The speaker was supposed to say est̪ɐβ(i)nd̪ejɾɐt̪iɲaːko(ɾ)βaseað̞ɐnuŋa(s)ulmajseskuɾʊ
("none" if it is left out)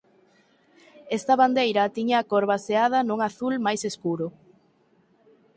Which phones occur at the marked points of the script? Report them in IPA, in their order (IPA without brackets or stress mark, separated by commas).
a, ɾ, θ